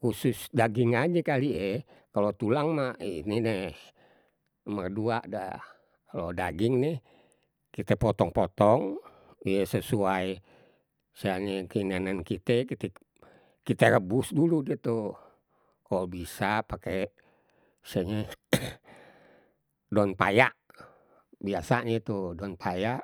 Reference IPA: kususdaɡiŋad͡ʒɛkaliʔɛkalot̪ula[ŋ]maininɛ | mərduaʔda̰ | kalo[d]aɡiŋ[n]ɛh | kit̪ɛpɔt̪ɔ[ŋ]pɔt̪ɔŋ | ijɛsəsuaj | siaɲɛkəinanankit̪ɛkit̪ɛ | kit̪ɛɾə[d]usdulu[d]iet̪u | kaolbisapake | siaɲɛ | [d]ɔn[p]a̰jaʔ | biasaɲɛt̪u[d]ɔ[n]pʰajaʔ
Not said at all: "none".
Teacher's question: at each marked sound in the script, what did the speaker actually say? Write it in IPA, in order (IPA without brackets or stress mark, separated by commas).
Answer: ŋ, d, n, ŋ, b, d, d, p, d, n